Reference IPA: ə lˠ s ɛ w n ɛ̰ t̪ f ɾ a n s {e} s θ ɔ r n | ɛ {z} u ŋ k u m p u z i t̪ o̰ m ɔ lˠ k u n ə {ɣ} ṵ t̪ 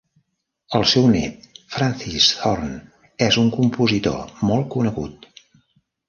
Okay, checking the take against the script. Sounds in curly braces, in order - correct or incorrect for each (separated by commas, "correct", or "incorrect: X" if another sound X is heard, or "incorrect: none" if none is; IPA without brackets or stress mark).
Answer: incorrect: i, correct, correct